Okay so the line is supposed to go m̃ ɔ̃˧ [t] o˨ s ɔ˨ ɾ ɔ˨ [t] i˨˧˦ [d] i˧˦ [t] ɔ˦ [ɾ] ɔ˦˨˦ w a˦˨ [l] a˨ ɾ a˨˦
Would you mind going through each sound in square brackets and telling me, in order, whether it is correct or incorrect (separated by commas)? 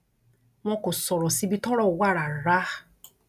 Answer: incorrect, incorrect, incorrect, correct, correct, incorrect